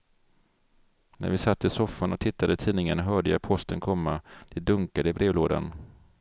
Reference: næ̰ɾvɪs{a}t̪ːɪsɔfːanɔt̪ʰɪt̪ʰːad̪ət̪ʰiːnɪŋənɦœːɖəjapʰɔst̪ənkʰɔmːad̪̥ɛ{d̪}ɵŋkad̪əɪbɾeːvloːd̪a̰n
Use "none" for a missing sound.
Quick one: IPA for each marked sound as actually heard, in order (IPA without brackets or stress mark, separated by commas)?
a, d̪